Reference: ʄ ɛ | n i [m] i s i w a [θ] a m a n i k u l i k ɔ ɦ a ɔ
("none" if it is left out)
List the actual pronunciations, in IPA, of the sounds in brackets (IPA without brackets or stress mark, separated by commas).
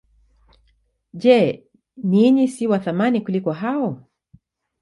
ɲ, θ